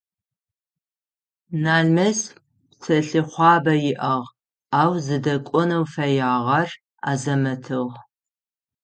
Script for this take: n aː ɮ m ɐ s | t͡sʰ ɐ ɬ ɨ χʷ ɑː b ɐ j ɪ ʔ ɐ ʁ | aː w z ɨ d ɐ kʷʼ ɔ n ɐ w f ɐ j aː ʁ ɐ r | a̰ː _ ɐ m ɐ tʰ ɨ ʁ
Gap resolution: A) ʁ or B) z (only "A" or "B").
B